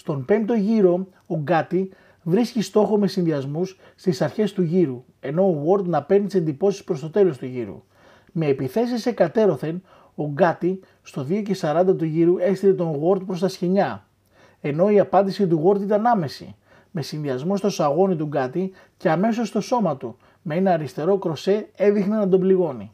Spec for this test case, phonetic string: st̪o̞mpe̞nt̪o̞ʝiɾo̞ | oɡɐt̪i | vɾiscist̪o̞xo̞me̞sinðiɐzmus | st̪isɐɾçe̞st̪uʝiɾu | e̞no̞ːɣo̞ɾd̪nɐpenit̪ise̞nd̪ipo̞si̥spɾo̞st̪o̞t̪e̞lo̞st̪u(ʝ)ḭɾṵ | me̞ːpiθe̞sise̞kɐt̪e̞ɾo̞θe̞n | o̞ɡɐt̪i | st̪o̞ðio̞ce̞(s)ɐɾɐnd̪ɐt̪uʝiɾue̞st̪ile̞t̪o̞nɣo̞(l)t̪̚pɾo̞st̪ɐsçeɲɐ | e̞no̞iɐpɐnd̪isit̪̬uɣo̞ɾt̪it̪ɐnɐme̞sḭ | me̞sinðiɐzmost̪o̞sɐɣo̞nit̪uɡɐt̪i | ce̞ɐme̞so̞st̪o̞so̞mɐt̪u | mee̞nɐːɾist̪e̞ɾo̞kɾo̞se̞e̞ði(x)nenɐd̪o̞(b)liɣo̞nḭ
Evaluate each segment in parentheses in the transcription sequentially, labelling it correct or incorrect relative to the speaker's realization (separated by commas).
correct, correct, incorrect, correct, correct